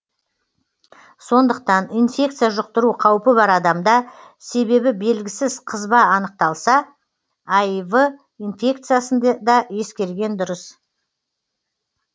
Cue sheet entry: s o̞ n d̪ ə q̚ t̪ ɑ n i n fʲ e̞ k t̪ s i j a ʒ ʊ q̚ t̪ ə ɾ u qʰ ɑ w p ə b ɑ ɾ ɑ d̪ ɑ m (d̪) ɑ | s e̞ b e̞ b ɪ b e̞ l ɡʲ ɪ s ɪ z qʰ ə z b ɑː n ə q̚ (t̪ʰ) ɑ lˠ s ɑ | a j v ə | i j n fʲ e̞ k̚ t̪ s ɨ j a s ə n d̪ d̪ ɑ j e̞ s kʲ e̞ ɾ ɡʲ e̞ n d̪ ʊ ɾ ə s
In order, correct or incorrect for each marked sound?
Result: correct, incorrect: t̪

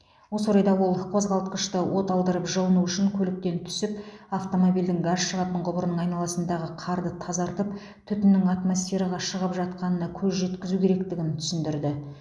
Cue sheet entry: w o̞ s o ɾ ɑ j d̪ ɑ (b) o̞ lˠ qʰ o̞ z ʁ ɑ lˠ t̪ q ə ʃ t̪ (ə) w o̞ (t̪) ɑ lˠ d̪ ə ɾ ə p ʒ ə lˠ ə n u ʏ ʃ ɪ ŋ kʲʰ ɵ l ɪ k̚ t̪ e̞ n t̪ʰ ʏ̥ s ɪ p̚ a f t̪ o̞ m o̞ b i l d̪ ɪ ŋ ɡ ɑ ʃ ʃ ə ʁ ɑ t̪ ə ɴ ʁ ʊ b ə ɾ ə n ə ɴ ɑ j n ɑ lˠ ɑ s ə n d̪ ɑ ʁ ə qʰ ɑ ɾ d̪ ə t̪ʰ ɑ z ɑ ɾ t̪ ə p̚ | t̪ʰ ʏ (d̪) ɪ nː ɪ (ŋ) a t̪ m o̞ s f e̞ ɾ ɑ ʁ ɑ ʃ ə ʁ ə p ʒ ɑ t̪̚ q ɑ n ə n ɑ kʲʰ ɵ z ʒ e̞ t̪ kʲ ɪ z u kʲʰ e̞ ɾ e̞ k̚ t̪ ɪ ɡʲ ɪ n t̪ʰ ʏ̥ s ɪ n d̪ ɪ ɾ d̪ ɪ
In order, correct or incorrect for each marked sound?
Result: incorrect: w, correct, correct, incorrect: t̪, correct

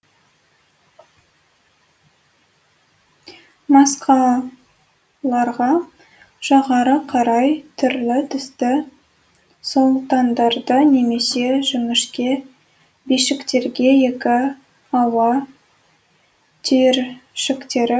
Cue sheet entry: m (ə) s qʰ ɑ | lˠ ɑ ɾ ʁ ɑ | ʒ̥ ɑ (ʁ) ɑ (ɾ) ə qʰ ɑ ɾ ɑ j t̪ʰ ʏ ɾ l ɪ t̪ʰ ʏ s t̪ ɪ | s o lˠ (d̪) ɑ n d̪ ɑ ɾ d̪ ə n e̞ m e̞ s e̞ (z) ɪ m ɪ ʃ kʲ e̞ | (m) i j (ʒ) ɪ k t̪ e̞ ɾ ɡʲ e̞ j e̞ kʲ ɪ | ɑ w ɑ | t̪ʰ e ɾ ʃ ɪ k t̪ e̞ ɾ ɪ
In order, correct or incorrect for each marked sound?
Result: incorrect: ɑ, correct, correct, incorrect: t̪, incorrect: ʒ, incorrect: b, incorrect: ʃ

